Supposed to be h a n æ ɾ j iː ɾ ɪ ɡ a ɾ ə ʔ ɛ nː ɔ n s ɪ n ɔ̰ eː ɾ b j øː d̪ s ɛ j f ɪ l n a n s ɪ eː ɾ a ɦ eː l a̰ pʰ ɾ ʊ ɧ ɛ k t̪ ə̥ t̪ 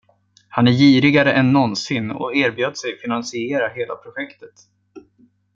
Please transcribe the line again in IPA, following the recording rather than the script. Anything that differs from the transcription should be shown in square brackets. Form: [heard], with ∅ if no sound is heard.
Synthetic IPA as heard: h a n æ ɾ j iː ɾ ɪ ɡ a ɾ ə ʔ ɛ nː ɔ n s ɪ n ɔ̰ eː ɾ b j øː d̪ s ɛ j f ɪ [∅] n a n s ɪ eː ɾ a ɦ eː l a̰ pʰ ɾ ʊ ɧ ɛ k t̪ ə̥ t̪